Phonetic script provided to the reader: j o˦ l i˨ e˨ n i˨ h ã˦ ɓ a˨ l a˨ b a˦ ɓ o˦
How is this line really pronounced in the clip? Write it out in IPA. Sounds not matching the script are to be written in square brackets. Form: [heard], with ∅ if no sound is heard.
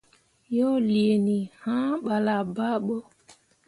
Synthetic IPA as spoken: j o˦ l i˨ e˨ n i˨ h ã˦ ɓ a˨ l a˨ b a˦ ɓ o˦